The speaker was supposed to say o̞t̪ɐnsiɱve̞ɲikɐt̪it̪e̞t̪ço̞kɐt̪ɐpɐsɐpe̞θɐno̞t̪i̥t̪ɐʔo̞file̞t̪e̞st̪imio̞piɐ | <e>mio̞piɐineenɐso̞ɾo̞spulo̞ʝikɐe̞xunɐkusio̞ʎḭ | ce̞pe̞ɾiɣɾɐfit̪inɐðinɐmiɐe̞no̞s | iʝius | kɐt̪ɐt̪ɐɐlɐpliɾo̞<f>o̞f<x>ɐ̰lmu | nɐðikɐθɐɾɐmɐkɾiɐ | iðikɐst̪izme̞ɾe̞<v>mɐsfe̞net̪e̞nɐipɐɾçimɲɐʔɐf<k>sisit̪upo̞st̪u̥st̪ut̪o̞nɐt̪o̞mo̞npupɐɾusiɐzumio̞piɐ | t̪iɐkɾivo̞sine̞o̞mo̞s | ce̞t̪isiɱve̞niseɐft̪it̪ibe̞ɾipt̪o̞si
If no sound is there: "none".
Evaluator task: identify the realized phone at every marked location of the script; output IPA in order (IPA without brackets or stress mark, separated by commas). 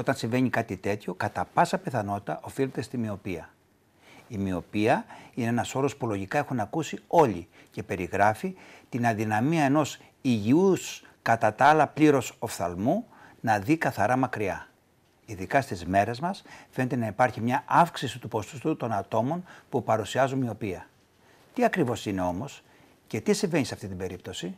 i, s, θ, z, k